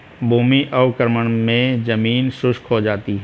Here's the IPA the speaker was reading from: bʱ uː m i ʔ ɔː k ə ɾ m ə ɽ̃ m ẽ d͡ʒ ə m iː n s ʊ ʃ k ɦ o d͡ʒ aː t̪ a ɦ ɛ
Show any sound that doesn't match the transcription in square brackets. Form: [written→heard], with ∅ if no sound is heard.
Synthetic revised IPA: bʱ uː m i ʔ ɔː k ə ɾ m ə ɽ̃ m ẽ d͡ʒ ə m iː n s ʊ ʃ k ɦ o d͡ʒ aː t̪ [a→i] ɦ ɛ